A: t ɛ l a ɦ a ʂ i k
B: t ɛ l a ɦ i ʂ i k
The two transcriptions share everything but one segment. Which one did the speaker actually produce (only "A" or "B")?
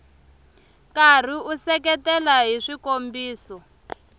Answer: B